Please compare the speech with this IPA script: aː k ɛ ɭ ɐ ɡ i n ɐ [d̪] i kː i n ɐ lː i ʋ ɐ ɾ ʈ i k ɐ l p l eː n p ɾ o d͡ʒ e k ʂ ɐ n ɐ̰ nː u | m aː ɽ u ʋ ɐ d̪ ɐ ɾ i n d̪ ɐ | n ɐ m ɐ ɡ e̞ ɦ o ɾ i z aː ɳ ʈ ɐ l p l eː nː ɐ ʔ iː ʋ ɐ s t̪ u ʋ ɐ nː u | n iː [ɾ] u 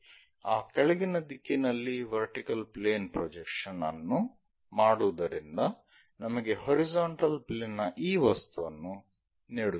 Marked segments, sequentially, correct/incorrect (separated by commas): correct, incorrect